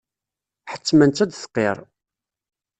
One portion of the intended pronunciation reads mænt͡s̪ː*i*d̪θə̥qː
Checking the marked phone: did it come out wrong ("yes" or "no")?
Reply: yes